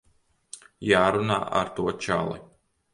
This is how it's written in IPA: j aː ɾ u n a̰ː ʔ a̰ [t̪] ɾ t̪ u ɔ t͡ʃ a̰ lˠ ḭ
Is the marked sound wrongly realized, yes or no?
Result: yes